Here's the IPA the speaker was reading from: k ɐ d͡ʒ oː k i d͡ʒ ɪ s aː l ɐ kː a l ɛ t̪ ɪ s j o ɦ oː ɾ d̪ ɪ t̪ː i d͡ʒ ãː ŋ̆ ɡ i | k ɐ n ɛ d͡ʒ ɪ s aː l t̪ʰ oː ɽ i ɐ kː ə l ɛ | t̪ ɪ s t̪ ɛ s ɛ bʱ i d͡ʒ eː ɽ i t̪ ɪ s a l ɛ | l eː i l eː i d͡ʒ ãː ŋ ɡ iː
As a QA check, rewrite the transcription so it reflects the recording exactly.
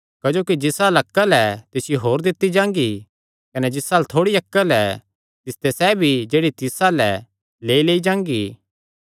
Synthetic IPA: k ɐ d͡ʒ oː k i d͡ʒ ɪ s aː l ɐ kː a l ɛ t̪ ɪ s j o ɦ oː ɾ d̪ ɪ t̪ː i d͡ʒ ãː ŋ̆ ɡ i | k ɐ n ɛ d͡ʒ ɪ s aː l t̪ʰ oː ɽ i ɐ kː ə l ɛ | t̪ ɪ s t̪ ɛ s ɛ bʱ i d͡ʒ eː ɽ i t̪ ɪ s a l ɛ | l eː i l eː i d͡ʒ ãː ŋ ɡ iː